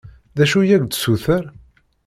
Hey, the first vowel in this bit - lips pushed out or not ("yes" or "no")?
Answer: no